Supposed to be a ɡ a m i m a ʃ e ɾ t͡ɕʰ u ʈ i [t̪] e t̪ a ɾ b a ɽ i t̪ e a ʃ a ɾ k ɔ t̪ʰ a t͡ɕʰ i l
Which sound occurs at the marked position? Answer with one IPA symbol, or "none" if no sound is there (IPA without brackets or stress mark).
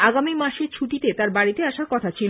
t̪